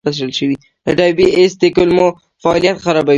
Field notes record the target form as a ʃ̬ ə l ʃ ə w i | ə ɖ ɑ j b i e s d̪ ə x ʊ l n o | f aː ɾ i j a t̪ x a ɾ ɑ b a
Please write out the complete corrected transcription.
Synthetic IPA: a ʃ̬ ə l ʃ ə w i | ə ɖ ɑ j b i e s d̪ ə k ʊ l m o | f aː l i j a t̪ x a ɾ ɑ b a

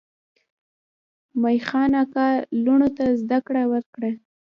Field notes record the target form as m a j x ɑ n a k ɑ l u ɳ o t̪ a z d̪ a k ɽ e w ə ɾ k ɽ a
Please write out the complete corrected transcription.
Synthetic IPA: m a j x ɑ n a k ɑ l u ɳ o t̪ a z d̪ a k ɽ a w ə ɾ k ɽ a

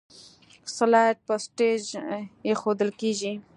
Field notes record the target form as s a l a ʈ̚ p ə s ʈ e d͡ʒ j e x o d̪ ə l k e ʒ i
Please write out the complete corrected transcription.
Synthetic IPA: s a l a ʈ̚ p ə s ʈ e d͡ʒ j e x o d̪ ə l k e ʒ i

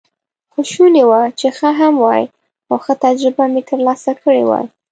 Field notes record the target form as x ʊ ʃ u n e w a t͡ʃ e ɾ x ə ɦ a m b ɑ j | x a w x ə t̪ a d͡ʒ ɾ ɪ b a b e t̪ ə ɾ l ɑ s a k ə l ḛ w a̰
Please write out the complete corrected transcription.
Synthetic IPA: x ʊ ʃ u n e w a t͡ʃ e x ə ɦ a m w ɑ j | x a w x ə t̪ a d͡ʒ ɾ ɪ b a m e t̪ ə ɾ l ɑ s a k ə ɽ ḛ w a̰

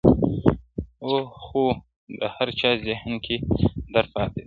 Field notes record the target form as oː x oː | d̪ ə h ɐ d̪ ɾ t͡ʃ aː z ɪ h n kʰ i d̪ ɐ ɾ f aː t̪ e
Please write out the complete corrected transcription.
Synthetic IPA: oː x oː | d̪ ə h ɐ ɾ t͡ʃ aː z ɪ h n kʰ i d̪ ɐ ɾ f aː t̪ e

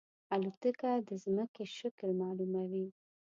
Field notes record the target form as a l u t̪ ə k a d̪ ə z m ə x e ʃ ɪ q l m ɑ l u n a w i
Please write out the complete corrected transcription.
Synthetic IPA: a l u t̪ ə k a d̪ ə z m ə k e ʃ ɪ k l m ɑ l u m a w i

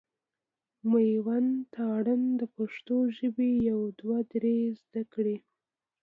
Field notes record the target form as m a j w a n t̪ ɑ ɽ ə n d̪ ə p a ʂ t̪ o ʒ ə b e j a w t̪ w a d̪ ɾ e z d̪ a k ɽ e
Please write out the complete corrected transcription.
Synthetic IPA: m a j w a n t̪ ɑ ɽ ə n d̪ ə p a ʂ t̪ o ʒ ə b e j a w d̪ w a d̪ ɾ e z d̪ a k ɽ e

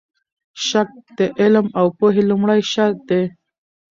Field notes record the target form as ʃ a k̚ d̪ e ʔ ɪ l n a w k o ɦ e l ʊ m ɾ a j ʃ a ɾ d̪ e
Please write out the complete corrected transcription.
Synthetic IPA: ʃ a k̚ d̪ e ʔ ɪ l m a w p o ɦ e l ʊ m ɽ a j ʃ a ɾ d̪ e

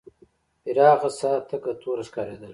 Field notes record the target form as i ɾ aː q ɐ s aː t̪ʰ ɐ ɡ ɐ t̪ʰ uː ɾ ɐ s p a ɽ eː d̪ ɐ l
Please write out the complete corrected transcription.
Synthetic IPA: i ɾ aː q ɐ s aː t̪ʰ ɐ k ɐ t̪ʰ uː ɾ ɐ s k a ɾ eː d̪ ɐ l

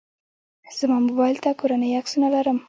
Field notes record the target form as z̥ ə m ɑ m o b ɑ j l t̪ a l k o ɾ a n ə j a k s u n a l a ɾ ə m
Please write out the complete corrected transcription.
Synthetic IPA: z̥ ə m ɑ m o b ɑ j l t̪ a k o ɾ a n ə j a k s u n a l a ɾ ə m

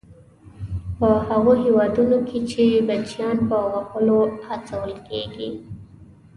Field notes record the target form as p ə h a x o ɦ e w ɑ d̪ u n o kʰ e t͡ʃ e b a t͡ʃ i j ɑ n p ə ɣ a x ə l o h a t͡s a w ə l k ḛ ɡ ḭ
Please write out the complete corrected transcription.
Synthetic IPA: p ə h a ɣ o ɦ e w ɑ d̪ u n o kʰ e t͡ʃ e b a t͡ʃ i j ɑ n p ə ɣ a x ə l o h a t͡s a w ə l k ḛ ɡ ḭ

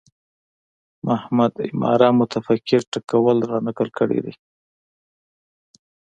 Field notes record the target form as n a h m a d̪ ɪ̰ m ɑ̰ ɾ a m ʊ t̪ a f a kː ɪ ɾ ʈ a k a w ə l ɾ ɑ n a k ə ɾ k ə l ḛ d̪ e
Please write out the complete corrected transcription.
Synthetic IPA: m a h m a d̪ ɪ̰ m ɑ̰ ɾ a m ʊ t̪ a f a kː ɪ ɾ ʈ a k a w ə l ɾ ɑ n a k ə l k ə ɽ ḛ d̪ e

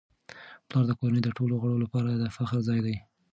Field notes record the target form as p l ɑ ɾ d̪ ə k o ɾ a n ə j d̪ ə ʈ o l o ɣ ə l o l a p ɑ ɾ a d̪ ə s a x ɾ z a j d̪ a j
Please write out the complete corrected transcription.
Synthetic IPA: p l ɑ ɾ d̪ ə k o ɾ a n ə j d̪ ə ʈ o l o ɣ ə ɽ o l a p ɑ ɾ a d̪ ə f a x ɾ z ɑ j d̪ a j

